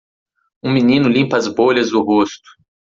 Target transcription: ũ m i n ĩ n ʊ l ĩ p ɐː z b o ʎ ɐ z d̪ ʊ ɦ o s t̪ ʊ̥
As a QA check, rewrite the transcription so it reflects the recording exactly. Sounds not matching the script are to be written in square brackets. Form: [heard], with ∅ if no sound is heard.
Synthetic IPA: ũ m i n ĩ n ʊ l ĩ p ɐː z b o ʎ ɐ z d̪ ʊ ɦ o s t̪ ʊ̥